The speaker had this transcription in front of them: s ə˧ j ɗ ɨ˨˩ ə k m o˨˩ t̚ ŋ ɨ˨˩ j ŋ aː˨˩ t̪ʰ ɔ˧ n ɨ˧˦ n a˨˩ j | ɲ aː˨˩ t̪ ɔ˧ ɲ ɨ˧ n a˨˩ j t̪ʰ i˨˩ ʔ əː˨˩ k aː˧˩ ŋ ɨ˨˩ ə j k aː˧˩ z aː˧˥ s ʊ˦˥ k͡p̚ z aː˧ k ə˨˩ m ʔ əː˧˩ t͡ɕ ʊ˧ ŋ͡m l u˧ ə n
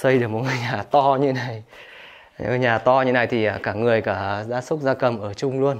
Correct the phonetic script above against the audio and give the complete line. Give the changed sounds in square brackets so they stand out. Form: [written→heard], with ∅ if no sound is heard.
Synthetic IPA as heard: s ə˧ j ɗ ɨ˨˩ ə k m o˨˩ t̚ ŋ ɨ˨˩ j [ŋ→ɲ] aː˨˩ [t̪ʰ→t̪] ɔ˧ [n→ɲ] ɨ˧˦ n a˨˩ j | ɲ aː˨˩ t̪ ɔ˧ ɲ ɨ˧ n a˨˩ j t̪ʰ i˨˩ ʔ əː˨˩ k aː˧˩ ŋ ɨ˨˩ ə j k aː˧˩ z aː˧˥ s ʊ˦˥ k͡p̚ z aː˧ k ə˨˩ m ʔ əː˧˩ t͡ɕ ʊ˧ ŋ͡m l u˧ ə n

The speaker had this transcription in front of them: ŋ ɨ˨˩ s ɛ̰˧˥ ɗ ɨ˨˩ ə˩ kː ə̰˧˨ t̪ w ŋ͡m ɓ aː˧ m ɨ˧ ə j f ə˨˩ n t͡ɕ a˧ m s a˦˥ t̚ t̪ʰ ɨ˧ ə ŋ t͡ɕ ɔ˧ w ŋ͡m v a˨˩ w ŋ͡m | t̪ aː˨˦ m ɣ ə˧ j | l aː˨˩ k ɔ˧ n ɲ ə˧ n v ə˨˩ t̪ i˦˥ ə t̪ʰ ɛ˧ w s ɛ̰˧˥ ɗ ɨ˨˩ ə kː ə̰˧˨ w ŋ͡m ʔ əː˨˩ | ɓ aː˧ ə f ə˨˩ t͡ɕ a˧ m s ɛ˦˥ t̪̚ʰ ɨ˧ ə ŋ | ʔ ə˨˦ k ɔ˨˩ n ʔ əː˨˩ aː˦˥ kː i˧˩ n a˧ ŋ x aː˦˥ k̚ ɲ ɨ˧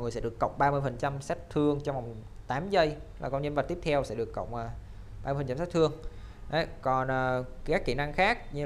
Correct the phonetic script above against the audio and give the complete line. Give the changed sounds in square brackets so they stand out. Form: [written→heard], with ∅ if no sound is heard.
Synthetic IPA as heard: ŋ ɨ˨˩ s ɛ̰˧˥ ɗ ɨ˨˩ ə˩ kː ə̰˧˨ [t̪→∅] w ŋ͡m ɓ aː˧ m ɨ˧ ə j f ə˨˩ n t͡ɕ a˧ m s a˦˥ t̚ t̪ʰ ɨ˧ ə ŋ t͡ɕ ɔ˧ w ŋ͡m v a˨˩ w ŋ͡m | t̪ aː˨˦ m [ɣ→z] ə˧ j | l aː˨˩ k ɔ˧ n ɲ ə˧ n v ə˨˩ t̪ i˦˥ ə t̪ʰ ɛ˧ w s ɛ̰˧˥ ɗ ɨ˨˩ ə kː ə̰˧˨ w ŋ͡m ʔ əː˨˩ | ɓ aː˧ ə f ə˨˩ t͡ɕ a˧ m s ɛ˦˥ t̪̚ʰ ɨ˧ ə ŋ | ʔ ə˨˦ k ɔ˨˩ n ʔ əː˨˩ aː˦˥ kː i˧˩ n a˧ ŋ x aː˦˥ k̚ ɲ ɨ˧

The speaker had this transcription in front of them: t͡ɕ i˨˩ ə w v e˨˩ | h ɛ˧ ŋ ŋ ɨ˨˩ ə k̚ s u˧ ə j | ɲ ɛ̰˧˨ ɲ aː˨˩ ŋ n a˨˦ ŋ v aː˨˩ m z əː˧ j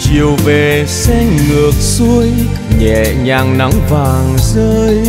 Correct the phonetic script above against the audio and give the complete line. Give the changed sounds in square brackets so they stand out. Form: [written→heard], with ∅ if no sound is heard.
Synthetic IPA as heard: t͡ɕ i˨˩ ə w v e˨˩ | [h→s] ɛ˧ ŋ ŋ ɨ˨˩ ə k̚ s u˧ ə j | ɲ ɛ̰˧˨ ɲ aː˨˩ ŋ n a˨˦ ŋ v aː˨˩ [m→ŋ] z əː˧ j

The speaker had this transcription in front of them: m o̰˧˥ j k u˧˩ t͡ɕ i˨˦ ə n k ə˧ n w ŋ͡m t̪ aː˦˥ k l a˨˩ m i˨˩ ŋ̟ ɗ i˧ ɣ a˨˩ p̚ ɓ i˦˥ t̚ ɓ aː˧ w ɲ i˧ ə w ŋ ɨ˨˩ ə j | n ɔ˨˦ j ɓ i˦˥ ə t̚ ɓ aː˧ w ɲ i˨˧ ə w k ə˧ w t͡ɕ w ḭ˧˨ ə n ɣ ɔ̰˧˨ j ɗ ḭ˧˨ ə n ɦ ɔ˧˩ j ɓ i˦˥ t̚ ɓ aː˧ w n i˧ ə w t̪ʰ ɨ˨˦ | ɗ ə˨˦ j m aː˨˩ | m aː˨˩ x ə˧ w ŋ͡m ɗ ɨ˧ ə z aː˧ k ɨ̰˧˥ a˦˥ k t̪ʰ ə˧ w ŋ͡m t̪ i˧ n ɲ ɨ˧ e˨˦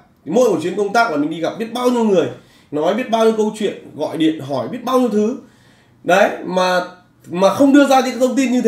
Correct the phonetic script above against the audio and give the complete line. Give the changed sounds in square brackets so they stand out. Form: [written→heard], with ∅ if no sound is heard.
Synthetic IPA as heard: m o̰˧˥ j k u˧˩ t͡ɕ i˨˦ ə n k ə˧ [n→∅] w ŋ͡m t̪ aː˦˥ k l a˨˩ m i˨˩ ŋ̟ ɗ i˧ ɣ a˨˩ p̚ ɓ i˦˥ t̚ ɓ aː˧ w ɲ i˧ ə w ŋ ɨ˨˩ ə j | n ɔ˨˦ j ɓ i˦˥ ə t̚ ɓ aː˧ w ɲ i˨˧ ə w k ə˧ w t͡ɕ w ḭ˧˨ ə n ɣ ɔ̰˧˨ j ɗ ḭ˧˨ ə n ɦ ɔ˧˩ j ɓ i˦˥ t̚ ɓ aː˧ w [n→ɲ] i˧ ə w t̪ʰ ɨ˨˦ | ɗ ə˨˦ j m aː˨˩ | m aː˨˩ x ə˧ w ŋ͡m ɗ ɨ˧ ə z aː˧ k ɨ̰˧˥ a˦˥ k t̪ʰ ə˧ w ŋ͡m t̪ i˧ n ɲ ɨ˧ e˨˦

